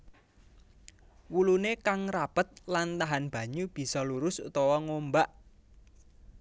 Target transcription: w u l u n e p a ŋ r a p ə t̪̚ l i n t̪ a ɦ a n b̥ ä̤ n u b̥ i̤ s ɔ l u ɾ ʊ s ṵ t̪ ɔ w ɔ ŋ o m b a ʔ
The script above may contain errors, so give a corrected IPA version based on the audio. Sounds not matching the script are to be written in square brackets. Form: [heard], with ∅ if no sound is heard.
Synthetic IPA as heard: w u l u n e [k] a ŋ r a p ə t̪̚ l [a] n t̪ a ɦ a n b̥ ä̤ [ɲ] u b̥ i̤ s ɔ l u ɾ ʊ s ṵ t̪ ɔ w ɔ ŋ o m b a ʔ